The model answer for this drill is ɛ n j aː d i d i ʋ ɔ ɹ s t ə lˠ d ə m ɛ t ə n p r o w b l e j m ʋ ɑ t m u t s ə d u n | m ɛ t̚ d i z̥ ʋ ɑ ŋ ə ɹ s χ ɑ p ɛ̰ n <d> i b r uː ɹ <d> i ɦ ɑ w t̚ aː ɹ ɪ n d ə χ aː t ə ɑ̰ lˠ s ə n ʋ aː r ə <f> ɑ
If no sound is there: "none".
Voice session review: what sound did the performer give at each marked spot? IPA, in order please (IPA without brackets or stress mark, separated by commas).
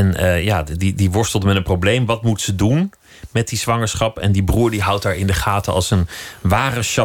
d, d, ʃ